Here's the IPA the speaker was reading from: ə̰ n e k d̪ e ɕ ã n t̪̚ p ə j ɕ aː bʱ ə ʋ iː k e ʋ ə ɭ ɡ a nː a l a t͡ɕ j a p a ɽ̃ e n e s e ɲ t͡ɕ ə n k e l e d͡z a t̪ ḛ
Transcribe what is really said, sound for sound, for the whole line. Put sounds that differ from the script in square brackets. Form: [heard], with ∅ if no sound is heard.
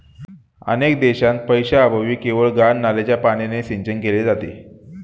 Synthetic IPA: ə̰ n e k d̪ e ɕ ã n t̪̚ p ə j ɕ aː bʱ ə ʋ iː k e ʋ ə ɭ ɡ a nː a l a t͡ɕ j a p a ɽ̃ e n e s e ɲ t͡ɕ ə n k e l e d͡z a t̪ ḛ